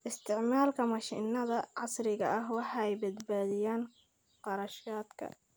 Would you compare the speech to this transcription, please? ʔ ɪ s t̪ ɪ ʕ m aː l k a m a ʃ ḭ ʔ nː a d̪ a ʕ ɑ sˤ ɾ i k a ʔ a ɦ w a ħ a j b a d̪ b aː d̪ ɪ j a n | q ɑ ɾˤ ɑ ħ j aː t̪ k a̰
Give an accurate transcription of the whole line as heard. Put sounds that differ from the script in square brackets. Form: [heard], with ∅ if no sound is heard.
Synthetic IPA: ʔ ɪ s t̪ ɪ ʕ m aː l k a m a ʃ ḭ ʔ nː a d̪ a ʕ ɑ sˤ ɾ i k a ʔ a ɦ w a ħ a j b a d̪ b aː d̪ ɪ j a n | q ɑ ɾˤ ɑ [ʃ] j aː t̪ k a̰